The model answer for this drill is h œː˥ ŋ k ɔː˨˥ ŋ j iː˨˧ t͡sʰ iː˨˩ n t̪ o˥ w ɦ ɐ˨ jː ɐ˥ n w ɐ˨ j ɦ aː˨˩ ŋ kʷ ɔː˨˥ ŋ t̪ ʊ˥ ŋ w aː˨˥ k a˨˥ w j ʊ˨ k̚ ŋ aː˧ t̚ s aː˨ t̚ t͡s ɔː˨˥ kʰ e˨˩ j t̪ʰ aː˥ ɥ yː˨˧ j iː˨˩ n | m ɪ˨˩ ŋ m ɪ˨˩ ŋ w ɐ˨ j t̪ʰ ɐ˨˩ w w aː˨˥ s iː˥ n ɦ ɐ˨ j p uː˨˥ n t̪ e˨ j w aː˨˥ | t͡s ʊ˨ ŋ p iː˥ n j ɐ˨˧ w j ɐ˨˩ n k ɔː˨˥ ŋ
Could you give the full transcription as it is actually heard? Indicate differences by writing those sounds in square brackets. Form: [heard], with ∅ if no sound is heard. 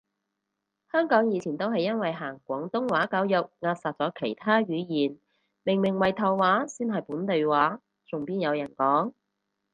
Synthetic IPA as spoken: h œː˥ ŋ k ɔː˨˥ ŋ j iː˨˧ t͡sʰ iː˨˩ n t̪ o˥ w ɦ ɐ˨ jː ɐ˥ n w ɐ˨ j ɦ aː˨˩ ŋ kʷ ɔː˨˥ ŋ t̪ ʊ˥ ŋ w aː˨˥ k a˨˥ w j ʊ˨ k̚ ŋ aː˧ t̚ s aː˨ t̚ t͡s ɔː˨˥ kʰ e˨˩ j t̪ʰ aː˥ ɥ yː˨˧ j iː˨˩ n | m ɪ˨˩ ŋ m ɪ˨˩ ŋ w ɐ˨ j t̪ʰ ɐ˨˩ w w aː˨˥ s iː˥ n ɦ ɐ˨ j p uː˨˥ n t̪ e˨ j w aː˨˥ | t͡s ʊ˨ ŋ p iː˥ n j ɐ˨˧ w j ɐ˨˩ n k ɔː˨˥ ŋ

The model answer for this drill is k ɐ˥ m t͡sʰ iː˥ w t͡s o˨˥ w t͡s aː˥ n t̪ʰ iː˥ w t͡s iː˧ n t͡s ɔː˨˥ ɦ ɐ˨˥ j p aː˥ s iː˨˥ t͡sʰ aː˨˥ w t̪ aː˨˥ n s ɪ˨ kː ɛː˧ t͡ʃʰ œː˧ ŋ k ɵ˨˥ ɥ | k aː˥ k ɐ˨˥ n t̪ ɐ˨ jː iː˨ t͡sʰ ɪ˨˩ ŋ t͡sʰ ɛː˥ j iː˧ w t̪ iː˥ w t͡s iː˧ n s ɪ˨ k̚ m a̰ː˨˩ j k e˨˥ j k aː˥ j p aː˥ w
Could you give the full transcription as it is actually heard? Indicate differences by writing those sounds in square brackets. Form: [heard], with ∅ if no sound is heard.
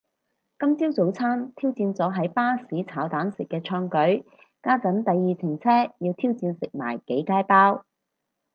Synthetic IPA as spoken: k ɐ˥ m [t͡s] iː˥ w t͡s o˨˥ w [t͡sʰ] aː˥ n t̪ʰ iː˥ w t͡s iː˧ n t͡s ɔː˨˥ ɦ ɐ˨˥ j p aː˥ s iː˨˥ t͡sʰ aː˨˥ w t̪ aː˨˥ n s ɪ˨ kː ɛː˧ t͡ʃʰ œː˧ ŋ k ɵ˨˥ ɥ | k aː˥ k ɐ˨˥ n t̪ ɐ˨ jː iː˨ t͡sʰ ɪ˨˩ ŋ t͡sʰ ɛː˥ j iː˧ w [t̪ʰ] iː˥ w t͡s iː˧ n s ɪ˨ k̚ m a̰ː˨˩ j k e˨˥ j k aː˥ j p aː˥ w

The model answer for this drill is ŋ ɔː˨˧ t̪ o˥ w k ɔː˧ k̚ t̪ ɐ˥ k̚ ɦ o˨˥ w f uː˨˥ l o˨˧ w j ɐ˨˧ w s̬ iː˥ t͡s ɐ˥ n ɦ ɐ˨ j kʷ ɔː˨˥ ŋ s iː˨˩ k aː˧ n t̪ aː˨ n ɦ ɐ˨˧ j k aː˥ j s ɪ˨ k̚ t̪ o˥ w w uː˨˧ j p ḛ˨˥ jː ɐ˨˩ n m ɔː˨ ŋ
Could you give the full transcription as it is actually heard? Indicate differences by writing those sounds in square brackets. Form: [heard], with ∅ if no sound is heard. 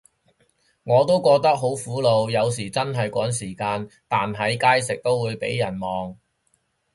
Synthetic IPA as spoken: ŋ ɔː˨˧ t̪ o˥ w k ɔː˧ k̚ t̪ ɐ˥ k̚ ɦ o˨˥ w f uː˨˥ l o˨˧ w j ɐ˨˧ w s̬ [iː˨˩] t͡s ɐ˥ n ɦ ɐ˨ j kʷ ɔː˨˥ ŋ s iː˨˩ k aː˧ n t̪ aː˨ n ɦ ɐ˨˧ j k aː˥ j s ɪ˨ k̚ t̪ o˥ w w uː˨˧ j p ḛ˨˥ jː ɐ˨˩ n m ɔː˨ ŋ

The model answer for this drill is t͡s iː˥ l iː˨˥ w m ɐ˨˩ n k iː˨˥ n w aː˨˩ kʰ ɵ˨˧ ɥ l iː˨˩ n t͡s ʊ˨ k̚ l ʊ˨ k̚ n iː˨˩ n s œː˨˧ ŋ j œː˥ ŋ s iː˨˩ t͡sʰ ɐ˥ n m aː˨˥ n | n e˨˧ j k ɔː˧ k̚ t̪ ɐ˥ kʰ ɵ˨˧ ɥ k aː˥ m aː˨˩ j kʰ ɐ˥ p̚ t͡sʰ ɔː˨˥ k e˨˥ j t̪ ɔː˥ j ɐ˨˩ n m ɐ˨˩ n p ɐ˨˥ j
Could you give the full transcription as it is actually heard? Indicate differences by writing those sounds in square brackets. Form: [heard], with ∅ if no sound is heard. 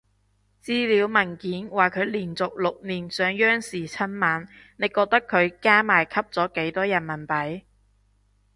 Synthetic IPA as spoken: t͡s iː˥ l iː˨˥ w m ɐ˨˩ n k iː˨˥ n w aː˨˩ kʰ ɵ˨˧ ɥ l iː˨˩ n t͡s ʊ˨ k̚ l ʊ˨ k̚ n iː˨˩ n s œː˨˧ ŋ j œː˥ ŋ s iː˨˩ t͡sʰ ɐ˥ n m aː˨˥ n | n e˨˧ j k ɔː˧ k̚ t̪ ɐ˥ kʰ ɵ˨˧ ɥ k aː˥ m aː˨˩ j kʰ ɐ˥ p̚ [t͡s] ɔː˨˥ k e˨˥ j t̪ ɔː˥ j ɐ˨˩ n m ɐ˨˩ n p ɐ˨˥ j

